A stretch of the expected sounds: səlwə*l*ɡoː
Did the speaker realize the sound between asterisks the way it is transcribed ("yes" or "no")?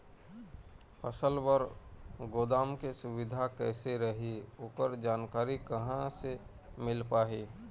no